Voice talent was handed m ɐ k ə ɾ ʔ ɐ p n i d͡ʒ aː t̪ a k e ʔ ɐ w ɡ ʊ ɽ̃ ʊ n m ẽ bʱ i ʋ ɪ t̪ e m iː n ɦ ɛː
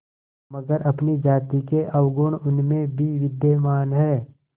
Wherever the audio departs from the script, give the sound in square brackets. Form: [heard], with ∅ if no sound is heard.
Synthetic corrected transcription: m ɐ [ɡ] ə ɾ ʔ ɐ p n i d͡ʒ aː t̪ [i] k e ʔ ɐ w ɡ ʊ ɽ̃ ʊ n m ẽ bʱ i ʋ ɪ [d̪] e m [aː] n ɦ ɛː